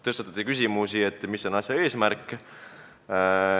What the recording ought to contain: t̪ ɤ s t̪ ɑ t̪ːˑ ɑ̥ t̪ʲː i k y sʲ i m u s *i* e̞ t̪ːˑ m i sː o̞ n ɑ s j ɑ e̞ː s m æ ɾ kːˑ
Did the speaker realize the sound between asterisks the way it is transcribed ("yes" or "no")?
yes